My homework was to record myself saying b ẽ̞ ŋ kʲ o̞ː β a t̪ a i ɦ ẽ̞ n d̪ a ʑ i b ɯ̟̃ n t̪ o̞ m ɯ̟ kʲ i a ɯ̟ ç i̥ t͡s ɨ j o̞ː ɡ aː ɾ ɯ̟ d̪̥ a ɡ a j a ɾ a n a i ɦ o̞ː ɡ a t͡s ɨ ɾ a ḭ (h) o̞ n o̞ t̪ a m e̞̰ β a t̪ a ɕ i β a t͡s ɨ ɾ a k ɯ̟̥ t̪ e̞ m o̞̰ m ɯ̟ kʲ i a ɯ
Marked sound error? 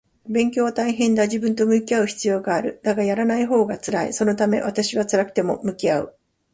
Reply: yes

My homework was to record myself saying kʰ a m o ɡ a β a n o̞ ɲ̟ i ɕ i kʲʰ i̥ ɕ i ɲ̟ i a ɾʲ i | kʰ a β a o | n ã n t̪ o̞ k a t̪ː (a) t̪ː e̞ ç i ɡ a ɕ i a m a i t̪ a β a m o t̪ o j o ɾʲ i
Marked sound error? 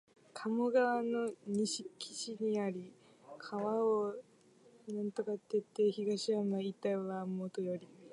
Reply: yes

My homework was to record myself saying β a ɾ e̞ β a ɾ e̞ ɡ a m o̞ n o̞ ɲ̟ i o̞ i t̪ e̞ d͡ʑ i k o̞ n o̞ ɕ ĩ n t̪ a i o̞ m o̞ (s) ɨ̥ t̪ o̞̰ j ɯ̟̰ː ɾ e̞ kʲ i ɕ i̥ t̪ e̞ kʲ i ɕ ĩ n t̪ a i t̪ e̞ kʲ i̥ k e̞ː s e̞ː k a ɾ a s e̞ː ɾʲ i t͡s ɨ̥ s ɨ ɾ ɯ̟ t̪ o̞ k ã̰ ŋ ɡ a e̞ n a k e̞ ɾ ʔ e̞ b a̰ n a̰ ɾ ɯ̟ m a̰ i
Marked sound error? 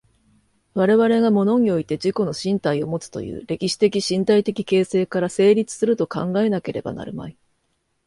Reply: yes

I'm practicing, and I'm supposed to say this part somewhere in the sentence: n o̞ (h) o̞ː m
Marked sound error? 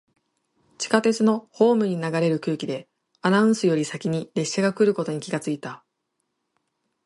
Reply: no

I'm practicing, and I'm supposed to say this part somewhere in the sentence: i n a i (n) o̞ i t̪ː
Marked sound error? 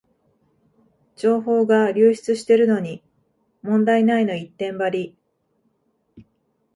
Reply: no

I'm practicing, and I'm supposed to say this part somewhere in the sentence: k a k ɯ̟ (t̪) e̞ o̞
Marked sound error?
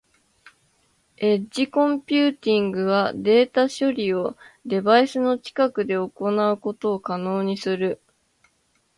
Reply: yes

